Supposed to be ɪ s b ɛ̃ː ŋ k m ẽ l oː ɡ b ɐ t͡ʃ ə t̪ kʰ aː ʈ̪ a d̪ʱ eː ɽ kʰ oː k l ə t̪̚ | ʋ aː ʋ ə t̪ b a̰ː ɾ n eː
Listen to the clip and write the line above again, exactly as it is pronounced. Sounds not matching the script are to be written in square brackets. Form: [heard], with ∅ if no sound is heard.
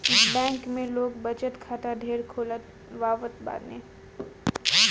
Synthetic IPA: ɪ s b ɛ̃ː ŋ k m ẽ l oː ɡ b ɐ t͡ʃ ə t̪ kʰ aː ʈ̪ a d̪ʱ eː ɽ kʰ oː [∅] l ə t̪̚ | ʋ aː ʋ ə t̪ b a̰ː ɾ n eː